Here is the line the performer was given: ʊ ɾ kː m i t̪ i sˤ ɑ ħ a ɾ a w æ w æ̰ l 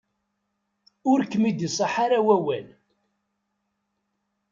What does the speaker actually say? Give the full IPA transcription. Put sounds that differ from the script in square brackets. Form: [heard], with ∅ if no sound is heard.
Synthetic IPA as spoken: ʊ ɾ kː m i [d̪] i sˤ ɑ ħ a ɾ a w æ w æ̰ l